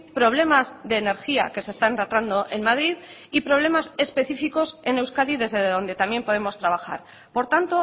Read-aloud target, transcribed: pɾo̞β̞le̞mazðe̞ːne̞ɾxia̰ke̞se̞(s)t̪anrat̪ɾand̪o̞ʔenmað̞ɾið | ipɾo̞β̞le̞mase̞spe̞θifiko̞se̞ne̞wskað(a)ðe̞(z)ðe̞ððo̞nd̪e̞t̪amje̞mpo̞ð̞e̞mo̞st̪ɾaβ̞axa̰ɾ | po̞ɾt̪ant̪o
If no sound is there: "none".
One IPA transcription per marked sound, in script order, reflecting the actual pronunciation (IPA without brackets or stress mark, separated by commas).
s, i, z